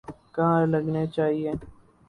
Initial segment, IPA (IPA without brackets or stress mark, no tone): k